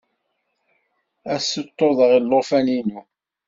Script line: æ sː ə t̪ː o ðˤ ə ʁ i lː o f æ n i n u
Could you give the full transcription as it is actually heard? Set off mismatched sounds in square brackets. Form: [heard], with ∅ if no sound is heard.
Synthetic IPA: æ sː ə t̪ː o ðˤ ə ʁ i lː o f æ n i n u